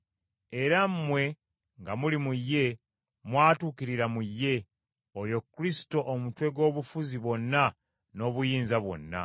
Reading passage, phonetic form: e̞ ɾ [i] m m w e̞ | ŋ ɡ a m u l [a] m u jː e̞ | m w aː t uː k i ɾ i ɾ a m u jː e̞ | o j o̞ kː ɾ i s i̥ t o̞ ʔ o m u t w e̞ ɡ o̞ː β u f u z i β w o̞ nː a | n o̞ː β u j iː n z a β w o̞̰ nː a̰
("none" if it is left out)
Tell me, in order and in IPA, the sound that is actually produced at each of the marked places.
a, i

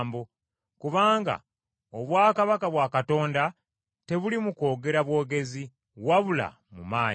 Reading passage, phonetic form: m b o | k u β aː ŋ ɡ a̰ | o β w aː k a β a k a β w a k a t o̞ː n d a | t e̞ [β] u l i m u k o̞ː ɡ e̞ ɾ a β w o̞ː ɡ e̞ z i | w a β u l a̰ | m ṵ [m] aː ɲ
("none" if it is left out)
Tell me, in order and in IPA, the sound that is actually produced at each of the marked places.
β, m

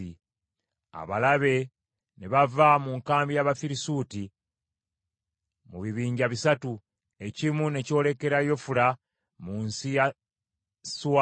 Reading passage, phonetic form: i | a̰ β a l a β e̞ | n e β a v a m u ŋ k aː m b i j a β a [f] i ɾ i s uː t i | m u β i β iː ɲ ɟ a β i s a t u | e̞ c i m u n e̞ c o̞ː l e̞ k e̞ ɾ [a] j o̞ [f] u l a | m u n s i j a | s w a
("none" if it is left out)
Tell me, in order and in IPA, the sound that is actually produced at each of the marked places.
f, a, f

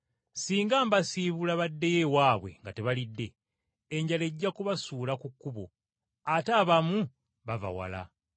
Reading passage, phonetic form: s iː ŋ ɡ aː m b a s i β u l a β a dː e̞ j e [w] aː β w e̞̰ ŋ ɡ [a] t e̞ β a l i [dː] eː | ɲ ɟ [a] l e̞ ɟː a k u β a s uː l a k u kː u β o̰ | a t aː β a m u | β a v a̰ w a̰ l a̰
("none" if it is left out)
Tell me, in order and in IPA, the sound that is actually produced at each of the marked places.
w, a, dː, a

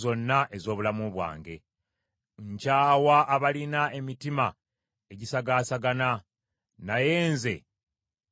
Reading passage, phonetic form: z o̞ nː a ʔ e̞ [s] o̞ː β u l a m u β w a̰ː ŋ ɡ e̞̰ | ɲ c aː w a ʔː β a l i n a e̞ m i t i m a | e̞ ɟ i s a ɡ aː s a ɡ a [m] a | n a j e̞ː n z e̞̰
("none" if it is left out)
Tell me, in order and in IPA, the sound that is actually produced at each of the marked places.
z, n

